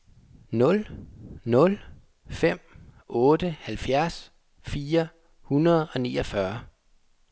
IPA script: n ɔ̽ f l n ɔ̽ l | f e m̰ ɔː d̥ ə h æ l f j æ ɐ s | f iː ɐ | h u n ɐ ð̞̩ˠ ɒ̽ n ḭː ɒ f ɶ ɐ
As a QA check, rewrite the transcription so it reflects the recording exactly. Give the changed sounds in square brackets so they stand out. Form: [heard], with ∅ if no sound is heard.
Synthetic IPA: n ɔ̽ [∅] l n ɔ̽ l | f e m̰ ɔː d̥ ə h æ l f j æ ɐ s | f iː ɐ | h u n ɐ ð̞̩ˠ ɒ̽ n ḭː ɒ f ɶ ɐ

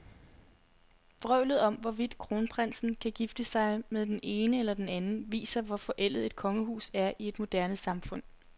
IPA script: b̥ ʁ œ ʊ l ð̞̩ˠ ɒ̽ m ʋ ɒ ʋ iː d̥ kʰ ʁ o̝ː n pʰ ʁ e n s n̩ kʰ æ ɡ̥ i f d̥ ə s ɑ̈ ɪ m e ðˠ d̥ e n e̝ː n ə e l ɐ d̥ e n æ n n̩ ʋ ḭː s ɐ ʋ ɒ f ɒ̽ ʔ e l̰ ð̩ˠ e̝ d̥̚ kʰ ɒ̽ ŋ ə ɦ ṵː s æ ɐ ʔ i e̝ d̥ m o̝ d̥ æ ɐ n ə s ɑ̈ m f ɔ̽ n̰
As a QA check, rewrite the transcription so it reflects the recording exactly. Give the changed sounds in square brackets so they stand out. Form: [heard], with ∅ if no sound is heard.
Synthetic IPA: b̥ ʁ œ ʊ l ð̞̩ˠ ɒ̽ m ʋ ɒ ʋ [i] d̥ kʰ ʁ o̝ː n pʰ ʁ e n s n̩ kʰ æ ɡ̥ i f d̥ ə s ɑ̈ ɪ m e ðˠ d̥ e n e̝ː n ə e l ɐ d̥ e n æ n n̩ ʋ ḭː s ɐ ʋ ɒ f ɒ̽ ʔ e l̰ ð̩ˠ e̝ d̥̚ kʰ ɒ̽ ŋ ə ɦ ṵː s æ ɐ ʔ i e̝ d̥ m o̝ d̥ æ ɐ n ə s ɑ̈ m f ɔ̽ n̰

